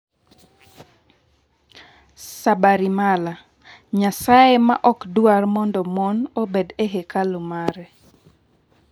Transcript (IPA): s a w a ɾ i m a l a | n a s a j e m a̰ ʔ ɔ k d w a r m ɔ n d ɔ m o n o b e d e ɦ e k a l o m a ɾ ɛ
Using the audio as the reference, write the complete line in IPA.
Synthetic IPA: s a b a ɾ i m a l a | ɲ a s a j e m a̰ ʔ ɔ k d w a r m ɔ n d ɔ m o n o b e d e ɦ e k a l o m a ɾ ɛ

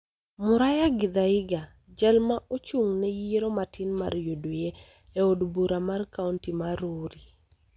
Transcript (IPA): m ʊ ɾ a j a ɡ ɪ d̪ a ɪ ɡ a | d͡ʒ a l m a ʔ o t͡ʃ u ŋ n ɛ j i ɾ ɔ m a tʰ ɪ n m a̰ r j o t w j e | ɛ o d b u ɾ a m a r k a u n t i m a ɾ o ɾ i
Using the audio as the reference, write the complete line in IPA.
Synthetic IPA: m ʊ ɾ a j a ɡ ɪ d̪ a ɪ ɡ a | d͡ʒ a l m a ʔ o t͡ʃ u ŋ n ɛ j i ɾ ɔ m a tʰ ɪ n m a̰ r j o d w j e | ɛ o d b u ɾ a m a r k a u n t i m a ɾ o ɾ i

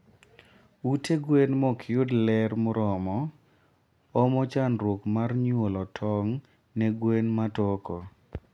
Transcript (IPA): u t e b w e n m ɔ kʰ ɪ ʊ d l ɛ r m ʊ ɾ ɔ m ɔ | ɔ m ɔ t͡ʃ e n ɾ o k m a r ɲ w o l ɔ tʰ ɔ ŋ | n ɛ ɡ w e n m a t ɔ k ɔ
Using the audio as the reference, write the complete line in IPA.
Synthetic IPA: u t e ɡ w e n m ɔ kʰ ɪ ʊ d l ɛ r m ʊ ɾ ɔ m ɔ | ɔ m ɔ t͡ʃ a n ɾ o k m a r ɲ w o l ɔ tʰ ɔ ŋ | n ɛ ɡ w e n m a t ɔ k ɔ

